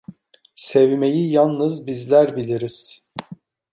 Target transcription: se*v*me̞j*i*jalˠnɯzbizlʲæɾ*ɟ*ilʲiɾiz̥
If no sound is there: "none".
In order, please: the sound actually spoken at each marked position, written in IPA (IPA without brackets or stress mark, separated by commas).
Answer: v, i, b